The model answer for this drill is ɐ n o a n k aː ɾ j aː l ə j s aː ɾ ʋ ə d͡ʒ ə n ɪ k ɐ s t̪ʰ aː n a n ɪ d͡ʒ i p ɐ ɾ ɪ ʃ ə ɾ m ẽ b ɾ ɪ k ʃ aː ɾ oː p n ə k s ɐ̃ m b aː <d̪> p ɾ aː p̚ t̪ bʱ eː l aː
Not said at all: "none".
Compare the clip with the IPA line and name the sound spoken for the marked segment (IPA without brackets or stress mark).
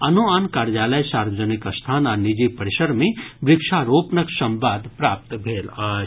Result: d̪